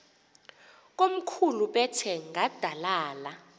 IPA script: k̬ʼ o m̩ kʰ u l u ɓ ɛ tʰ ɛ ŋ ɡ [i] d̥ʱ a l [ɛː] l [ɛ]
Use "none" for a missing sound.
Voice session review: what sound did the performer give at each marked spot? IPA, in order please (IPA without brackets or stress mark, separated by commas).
a, aː, a